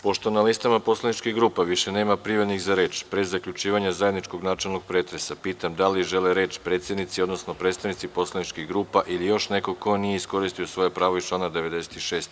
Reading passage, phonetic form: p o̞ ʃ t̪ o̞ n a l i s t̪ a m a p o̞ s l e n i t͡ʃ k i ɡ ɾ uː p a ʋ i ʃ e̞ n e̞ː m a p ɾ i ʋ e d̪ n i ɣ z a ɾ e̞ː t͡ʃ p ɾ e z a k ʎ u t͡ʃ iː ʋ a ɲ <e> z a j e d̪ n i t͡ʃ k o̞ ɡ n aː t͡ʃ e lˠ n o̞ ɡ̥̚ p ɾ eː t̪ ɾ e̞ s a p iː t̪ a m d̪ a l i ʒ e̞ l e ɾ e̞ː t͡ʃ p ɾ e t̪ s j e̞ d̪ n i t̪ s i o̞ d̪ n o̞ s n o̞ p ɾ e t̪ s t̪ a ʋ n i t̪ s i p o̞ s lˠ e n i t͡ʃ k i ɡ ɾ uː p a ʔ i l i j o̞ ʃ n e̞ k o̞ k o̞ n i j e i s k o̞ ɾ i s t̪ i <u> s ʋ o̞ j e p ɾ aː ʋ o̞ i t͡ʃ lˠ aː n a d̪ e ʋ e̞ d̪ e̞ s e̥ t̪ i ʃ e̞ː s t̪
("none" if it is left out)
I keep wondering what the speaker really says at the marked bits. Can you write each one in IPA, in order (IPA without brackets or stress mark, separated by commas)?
a, o